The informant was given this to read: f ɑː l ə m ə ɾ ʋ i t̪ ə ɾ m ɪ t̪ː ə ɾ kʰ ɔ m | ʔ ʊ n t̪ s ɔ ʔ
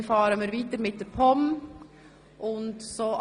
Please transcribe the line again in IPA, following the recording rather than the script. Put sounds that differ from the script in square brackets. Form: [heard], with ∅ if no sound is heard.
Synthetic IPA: f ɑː [ɾ] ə m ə ɾ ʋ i t̪ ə ɾ m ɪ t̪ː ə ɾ [pʰ] ɔ m | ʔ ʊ n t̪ s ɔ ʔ